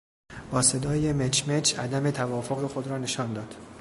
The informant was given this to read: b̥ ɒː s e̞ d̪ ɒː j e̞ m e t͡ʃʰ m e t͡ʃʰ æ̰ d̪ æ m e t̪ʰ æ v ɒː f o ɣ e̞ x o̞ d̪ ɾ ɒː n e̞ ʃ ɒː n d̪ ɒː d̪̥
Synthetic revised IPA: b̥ ɒː s e̞ d̪ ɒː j e̞ m e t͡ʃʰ m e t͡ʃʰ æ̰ d̪ æ m e t̪ʰ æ v ɒː f o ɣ e̞ x o̞ d̪ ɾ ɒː n e̞ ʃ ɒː n d̪ ɒː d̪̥